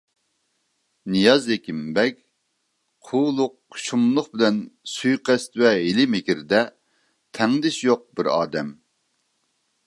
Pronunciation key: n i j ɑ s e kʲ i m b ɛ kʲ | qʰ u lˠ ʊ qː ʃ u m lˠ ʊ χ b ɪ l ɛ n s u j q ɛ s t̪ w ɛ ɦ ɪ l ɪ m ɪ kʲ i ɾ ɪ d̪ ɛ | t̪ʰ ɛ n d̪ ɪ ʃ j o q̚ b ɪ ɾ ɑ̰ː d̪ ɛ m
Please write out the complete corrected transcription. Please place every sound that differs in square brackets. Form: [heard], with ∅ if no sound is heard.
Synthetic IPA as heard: n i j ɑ [z] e kʲ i m b ɛ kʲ | qʰ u lˠ ʊ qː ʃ u m lˠ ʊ χ b ɪ l ɛ n s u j q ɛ s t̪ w ɛ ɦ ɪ l ɪ m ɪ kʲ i ɾ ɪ d̪ ɛ | t̪ʰ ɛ [ŋ] d̪ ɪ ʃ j o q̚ b ɪ ɾ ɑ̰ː d̪ ɛ m